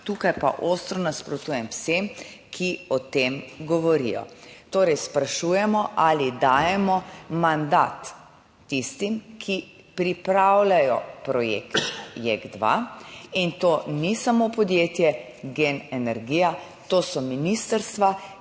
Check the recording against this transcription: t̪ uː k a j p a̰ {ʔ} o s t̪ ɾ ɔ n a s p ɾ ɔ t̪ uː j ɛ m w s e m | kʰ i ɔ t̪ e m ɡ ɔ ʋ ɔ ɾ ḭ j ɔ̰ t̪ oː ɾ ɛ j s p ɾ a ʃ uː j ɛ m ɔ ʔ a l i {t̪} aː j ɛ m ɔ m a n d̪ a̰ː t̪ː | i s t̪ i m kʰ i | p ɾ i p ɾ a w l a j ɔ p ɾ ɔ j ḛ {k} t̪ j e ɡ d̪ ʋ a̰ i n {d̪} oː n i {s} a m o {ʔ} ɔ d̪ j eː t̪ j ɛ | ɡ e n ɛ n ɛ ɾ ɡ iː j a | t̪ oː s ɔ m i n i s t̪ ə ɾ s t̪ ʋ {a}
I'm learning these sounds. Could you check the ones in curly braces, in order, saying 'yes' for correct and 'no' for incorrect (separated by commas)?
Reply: yes, no, yes, no, yes, no, yes